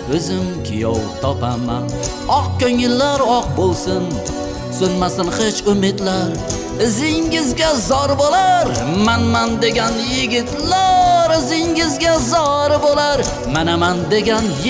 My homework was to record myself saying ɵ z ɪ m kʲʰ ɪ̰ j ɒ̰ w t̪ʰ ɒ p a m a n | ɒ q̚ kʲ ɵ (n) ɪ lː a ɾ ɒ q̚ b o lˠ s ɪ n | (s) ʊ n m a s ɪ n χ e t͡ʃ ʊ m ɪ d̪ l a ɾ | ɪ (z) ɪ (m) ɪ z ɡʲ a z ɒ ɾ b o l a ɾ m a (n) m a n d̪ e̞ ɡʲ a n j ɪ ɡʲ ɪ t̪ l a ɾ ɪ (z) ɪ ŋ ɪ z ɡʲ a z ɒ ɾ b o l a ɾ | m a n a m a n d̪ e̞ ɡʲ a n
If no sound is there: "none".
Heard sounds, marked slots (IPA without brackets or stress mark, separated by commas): ŋ, s, z, ŋ, n, z